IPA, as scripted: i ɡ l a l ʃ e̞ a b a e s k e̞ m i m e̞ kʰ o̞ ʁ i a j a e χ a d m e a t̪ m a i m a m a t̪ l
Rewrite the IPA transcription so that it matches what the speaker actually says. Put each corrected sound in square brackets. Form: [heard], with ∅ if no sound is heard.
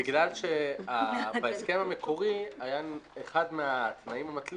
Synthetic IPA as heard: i ɡ l a l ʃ e̞ a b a e s k e̞ m [a] m e̞ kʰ o̞ ʁ i a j a e χ a d m e a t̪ [n] a i m a m a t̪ l